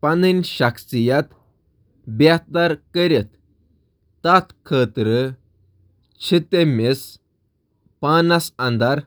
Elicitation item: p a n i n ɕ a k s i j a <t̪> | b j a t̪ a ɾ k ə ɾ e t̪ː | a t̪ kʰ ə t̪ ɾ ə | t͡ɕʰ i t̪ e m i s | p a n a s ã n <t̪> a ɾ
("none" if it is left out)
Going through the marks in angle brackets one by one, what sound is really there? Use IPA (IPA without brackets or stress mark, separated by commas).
t̪, d̪